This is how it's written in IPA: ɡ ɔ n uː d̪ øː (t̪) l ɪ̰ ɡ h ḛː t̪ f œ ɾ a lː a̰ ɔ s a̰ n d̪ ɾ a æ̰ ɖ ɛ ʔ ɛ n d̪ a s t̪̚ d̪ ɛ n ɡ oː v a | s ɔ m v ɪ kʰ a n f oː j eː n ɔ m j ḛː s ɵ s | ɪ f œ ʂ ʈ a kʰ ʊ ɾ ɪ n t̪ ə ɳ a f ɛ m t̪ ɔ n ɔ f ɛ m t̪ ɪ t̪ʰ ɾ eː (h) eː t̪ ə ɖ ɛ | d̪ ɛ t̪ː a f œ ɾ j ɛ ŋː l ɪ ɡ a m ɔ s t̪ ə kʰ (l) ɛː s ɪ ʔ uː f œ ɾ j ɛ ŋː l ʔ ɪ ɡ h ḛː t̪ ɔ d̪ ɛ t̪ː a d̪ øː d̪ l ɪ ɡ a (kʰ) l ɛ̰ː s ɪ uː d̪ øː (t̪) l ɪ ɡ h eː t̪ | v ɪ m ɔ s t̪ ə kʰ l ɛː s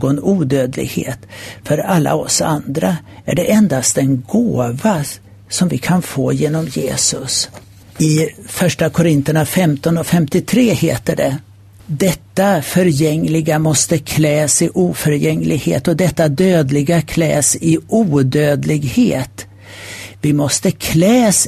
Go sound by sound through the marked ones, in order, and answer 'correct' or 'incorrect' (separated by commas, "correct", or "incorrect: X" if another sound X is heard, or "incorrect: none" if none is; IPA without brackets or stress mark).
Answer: incorrect: d̪, correct, correct, correct, incorrect: d̪